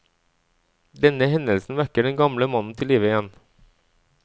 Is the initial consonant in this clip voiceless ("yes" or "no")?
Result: no